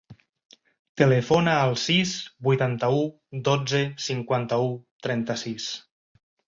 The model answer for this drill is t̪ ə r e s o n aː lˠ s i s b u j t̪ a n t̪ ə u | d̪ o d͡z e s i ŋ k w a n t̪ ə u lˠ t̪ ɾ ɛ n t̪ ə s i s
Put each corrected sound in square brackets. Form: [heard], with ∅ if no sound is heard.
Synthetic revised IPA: t̪ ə [l] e [f] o n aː lˠ s i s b u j t̪ a n t̪ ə u | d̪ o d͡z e s i ŋ k w a n t̪ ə u [∅] t̪ ɾ ɛ n t̪ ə s i s